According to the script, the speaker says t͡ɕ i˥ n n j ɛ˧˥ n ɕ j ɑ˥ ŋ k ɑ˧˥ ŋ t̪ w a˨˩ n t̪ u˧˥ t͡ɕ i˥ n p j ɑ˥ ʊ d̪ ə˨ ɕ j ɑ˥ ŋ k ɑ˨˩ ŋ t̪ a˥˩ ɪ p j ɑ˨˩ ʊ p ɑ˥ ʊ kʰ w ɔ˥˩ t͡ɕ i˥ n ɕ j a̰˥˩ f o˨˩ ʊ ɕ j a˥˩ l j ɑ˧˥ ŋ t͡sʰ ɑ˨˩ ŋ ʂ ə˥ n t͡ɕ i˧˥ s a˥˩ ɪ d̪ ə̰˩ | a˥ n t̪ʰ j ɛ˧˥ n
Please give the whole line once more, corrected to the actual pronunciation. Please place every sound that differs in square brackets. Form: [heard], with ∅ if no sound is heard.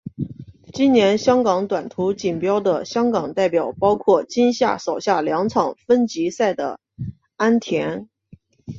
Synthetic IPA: t͡ɕ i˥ n n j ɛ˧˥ n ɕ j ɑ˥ ŋ k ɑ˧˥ ŋ t̪ w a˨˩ n [t̪ʰ] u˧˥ t͡ɕ [i˨˩] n p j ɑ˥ ʊ d̪ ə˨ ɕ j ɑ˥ ŋ k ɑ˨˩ ŋ t̪ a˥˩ ɪ p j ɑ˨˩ ʊ p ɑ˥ ʊ kʰ w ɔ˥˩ t͡ɕ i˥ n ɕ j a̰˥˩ [ʂ] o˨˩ ʊ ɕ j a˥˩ l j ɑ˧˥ ŋ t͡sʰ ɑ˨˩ ŋ [f] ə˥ n t͡ɕ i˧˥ s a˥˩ ɪ d̪ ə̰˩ | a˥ n t̪ʰ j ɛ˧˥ n